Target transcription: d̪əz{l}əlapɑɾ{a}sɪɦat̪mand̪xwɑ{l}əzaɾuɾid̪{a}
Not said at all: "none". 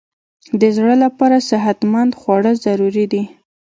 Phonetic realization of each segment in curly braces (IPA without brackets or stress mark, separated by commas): ɽ, a, ɽ, i